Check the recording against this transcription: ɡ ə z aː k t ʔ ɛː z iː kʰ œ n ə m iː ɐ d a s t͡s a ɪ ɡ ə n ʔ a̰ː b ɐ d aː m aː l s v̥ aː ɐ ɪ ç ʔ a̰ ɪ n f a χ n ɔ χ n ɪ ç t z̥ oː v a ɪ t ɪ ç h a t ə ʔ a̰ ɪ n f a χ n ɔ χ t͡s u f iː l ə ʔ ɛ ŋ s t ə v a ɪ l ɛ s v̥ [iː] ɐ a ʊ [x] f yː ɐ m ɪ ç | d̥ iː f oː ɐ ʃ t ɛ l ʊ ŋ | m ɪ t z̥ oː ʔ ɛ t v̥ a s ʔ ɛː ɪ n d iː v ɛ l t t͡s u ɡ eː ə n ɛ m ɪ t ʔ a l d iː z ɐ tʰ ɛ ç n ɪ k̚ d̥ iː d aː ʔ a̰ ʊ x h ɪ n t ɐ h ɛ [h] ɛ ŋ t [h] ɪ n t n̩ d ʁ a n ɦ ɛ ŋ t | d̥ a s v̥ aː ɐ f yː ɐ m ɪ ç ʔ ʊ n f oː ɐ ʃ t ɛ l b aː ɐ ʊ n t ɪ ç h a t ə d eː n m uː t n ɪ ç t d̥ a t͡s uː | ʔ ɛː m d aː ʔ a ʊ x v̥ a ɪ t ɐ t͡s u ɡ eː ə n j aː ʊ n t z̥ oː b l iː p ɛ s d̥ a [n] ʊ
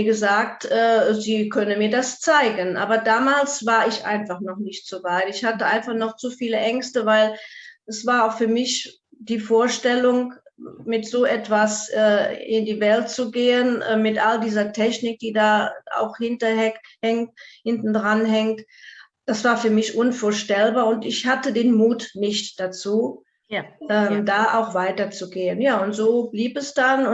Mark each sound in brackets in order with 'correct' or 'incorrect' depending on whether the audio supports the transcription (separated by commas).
incorrect, correct, correct, correct, correct